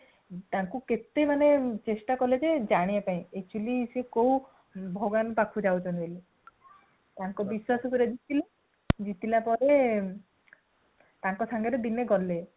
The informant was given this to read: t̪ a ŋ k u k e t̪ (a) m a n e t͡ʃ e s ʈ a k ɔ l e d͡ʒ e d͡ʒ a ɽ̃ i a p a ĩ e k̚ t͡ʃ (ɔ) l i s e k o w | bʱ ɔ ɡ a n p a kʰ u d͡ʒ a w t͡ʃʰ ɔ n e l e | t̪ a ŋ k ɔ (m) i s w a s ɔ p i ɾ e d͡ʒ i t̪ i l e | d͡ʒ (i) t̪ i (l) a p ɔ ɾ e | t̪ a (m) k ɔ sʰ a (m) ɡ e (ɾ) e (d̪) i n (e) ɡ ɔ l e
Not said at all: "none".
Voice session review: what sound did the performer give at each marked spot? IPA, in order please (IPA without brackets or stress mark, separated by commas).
e, u, b, i, l, ŋ, ŋ, ɾ, d̪, e